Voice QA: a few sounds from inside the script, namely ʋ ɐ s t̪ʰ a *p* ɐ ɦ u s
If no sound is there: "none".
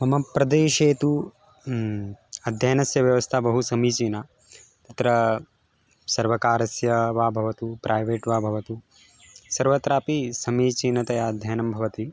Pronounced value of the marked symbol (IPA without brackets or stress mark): b